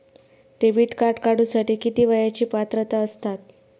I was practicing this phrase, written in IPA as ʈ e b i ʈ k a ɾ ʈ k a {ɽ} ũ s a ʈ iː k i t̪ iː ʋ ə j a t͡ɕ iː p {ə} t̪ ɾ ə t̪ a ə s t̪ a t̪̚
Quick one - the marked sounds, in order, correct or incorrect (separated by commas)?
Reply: correct, incorrect